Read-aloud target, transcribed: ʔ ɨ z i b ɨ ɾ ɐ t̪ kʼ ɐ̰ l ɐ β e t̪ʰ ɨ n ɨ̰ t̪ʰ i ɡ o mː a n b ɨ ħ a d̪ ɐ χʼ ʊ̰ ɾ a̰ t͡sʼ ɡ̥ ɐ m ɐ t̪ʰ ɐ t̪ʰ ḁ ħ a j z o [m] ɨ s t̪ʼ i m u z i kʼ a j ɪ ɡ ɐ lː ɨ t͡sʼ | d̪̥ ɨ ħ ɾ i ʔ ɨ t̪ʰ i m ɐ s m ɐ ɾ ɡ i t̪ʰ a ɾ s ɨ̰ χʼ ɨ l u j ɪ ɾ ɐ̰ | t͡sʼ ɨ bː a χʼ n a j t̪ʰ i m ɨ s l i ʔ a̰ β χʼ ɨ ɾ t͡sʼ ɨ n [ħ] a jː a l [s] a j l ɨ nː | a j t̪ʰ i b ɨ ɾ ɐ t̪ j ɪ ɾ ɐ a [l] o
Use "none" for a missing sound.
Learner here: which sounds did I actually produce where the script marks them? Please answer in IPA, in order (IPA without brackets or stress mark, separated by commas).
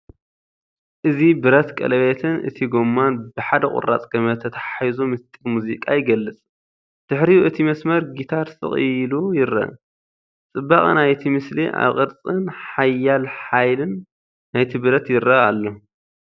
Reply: m, ħ, ħ, lː